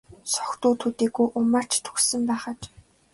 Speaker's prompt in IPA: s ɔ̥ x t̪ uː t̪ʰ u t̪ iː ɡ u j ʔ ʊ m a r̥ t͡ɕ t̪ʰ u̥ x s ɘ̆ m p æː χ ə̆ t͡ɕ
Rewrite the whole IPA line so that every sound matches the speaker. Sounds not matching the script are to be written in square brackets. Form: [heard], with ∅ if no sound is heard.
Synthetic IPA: s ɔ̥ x t̪ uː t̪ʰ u t̪ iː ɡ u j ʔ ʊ m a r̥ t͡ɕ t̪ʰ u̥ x s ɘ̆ m p æː χ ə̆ t͡ɕ